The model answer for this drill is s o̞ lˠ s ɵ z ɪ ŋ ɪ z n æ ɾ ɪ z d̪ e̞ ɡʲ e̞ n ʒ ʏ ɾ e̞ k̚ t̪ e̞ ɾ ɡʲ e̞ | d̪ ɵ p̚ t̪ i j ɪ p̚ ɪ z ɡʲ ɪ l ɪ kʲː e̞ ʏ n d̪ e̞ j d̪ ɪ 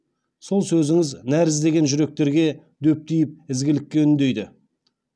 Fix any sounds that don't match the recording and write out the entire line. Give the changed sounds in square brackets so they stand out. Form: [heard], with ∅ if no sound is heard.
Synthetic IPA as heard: s o̞ lˠ s ɵ z ɪ ŋ ɪ z n æ ɾ ɪ z d̪ e̞ ɡʲ e̞ n ʒ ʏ ɾ e̞ k̚ t̪ e̞ ɾ ɡʲ e̞ | d̪ ɵ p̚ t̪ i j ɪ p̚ ɪ z ɡʲ ɪ l ɪ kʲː e̞ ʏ n d̪ e̞ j d̪ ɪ